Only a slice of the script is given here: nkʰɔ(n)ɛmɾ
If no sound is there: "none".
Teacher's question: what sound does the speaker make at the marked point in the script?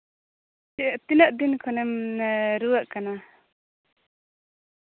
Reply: n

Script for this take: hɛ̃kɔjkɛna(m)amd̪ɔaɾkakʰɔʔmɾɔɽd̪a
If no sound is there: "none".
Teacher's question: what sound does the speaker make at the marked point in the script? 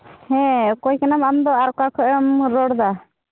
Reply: m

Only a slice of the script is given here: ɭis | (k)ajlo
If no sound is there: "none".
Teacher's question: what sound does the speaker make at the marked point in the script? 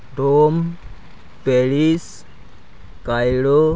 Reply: k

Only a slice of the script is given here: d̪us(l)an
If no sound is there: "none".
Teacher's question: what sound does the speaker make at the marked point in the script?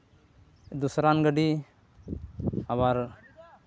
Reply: ɾ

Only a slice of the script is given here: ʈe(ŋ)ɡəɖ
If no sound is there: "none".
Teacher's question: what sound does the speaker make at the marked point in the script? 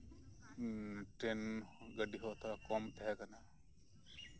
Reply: n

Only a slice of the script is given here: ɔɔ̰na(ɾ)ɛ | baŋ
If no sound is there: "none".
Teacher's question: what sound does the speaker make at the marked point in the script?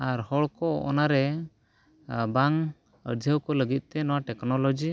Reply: ɾ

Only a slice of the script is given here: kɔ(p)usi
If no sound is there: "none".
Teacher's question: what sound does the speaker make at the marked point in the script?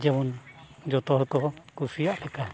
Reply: k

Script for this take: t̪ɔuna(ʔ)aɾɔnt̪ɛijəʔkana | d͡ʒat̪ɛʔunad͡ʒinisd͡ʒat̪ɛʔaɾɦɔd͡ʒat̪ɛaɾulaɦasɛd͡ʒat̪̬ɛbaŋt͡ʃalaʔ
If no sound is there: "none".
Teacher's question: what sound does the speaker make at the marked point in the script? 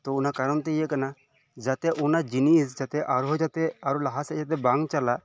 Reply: k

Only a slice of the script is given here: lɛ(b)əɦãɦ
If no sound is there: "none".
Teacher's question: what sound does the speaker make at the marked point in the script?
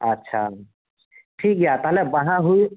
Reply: b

